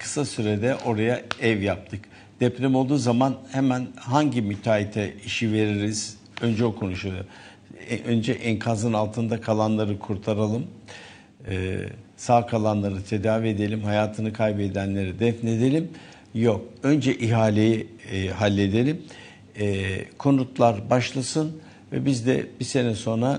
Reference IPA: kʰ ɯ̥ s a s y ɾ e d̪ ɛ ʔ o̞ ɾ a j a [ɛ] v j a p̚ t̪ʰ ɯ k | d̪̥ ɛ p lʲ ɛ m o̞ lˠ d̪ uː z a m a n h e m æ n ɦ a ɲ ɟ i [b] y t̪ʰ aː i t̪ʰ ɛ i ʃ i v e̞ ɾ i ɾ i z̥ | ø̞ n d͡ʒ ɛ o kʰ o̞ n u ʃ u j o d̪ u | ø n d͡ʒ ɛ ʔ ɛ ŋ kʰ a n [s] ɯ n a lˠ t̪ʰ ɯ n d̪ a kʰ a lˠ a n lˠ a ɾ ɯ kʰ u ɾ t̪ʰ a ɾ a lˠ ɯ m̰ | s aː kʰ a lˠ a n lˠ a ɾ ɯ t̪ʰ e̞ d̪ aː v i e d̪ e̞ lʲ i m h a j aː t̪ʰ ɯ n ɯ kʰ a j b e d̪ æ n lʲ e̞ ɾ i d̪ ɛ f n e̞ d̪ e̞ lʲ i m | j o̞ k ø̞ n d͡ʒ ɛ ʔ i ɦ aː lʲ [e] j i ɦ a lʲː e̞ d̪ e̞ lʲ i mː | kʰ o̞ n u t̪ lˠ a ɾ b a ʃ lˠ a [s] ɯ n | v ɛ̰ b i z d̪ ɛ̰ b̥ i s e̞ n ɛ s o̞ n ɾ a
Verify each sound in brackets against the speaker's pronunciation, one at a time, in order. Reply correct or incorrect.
correct, incorrect, incorrect, correct, correct

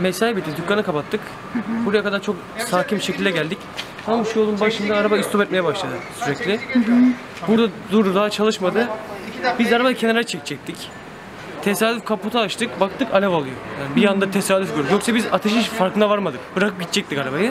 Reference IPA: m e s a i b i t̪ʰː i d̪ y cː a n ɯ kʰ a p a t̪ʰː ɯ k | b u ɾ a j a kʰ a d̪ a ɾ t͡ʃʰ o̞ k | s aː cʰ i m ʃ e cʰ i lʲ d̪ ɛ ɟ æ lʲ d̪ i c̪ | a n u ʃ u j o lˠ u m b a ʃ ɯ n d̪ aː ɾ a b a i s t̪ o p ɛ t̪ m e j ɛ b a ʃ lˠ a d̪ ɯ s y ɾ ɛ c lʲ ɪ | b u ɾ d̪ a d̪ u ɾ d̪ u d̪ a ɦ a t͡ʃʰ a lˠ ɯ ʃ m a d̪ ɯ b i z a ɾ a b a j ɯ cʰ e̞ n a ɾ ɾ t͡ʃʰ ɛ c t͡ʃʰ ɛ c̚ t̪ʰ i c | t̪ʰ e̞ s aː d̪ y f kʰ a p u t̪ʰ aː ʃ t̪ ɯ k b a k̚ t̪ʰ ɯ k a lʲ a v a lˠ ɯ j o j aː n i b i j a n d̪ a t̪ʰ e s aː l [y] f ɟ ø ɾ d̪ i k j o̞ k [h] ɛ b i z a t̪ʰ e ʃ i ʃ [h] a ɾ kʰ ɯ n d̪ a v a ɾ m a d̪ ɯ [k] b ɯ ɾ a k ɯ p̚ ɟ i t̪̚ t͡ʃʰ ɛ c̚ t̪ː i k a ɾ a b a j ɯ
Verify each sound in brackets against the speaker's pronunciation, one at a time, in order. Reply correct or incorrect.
correct, incorrect, incorrect, correct

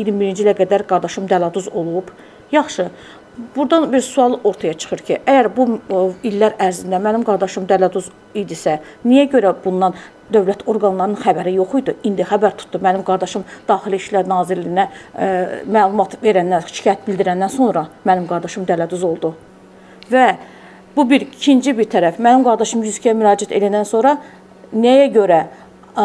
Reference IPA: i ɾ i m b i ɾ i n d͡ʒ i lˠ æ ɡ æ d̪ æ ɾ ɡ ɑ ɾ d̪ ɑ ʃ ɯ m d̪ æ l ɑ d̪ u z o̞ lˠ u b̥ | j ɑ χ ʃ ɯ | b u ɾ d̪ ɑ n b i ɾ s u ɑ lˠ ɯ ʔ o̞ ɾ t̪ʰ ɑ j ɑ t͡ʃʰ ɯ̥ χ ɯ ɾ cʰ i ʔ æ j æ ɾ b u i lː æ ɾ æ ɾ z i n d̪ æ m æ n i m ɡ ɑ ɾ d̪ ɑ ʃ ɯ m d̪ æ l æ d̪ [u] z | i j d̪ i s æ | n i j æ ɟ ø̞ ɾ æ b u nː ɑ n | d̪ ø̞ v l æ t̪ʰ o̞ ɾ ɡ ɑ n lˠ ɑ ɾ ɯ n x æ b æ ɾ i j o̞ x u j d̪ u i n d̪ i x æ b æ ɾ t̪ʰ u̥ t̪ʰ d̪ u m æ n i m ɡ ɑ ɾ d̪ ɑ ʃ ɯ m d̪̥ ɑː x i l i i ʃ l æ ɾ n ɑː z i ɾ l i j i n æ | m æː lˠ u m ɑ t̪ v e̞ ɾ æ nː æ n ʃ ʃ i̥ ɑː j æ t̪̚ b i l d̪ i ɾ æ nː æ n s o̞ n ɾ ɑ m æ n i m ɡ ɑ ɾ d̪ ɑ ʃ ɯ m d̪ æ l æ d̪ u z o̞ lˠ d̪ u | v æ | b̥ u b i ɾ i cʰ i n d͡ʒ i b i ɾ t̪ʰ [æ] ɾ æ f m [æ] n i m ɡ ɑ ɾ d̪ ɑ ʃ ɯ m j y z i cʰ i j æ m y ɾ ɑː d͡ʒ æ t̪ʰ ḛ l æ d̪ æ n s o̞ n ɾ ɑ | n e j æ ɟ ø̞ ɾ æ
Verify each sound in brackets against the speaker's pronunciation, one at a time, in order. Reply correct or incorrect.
correct, correct, correct

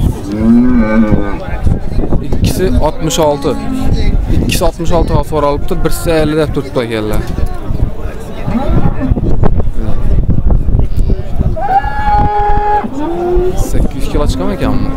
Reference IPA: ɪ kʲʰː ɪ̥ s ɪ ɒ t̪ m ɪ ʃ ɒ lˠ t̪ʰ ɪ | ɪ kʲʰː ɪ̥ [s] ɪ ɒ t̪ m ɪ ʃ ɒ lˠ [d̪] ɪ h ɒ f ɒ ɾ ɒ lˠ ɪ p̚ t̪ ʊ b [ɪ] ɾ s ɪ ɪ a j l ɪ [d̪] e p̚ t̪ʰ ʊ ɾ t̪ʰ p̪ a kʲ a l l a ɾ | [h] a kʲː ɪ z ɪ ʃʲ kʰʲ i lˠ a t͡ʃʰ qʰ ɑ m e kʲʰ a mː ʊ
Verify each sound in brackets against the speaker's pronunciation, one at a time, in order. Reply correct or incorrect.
correct, incorrect, correct, correct, incorrect

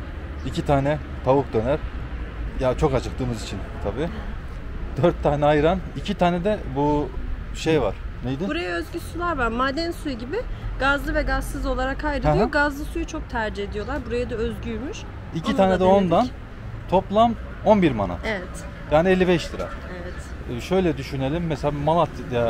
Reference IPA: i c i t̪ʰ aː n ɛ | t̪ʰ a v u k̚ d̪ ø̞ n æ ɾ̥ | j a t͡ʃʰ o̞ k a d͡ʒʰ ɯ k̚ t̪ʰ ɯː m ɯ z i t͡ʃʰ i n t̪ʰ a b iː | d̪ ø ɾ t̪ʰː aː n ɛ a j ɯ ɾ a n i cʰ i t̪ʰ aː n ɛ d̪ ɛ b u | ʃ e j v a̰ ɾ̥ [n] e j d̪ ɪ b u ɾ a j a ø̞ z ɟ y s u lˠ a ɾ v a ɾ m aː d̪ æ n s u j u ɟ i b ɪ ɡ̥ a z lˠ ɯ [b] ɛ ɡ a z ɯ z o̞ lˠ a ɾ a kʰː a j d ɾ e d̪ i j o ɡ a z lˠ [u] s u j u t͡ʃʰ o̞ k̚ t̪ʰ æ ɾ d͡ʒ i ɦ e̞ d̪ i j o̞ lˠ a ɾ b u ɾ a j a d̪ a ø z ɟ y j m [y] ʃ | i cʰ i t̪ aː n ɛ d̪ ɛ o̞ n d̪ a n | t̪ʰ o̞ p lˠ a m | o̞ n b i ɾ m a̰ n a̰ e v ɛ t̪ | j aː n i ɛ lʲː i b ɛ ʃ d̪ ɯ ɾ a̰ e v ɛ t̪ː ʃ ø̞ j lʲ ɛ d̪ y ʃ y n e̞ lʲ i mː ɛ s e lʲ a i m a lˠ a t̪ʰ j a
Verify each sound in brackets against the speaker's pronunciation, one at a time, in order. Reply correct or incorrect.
correct, incorrect, incorrect, correct

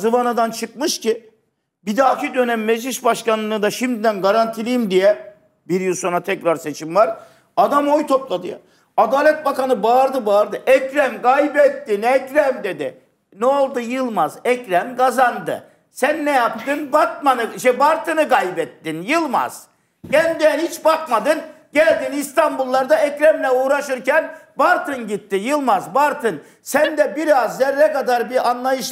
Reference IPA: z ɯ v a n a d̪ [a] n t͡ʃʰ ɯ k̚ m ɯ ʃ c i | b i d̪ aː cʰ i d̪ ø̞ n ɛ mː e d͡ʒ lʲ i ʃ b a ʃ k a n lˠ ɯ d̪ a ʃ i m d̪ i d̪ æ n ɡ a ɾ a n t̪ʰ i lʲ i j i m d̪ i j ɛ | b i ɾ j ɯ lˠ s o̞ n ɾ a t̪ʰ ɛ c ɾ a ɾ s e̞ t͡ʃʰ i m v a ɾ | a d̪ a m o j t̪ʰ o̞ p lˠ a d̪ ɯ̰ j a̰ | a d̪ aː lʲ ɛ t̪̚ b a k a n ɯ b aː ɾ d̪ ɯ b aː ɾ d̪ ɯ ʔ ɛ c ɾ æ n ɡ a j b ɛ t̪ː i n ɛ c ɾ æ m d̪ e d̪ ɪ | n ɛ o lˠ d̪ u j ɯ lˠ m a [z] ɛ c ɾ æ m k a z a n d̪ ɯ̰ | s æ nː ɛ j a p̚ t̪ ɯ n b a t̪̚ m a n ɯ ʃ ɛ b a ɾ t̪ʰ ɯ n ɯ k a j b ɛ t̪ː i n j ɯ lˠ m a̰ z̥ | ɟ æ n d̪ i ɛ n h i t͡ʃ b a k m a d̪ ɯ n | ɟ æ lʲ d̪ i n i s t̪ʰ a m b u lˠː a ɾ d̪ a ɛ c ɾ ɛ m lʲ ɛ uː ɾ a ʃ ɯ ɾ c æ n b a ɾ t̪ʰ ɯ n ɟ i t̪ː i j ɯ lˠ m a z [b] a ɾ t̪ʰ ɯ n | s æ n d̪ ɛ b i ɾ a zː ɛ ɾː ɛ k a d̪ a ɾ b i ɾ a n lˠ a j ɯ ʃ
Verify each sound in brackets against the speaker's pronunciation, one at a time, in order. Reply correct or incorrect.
correct, correct, correct

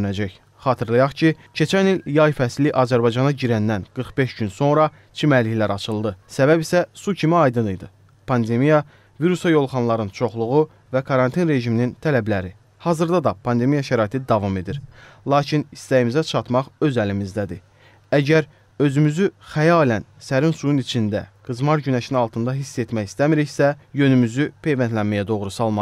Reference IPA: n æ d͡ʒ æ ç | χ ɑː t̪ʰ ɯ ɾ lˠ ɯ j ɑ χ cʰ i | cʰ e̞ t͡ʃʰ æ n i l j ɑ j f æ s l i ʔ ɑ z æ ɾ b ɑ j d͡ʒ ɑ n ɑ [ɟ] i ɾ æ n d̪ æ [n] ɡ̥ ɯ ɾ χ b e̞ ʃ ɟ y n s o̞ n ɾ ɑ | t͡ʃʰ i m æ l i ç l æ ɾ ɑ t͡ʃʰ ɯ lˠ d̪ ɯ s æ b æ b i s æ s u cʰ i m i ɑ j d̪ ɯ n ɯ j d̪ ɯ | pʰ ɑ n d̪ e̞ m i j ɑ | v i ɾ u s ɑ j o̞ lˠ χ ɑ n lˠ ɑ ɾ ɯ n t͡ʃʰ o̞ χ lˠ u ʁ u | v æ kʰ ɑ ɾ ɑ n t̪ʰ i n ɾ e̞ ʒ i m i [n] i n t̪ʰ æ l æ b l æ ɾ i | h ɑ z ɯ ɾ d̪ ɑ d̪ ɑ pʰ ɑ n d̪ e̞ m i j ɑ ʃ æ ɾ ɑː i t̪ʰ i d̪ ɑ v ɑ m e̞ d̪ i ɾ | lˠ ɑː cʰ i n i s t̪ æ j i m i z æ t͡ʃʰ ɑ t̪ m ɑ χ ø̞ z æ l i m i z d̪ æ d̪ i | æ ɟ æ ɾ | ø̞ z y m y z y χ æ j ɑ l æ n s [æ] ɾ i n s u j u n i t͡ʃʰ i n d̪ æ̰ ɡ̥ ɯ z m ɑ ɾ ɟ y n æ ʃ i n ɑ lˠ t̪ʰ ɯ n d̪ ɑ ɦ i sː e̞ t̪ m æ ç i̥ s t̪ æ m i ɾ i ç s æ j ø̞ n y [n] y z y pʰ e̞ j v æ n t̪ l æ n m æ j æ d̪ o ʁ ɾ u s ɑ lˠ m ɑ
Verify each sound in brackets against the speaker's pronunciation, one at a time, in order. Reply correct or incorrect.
correct, correct, correct, correct, incorrect

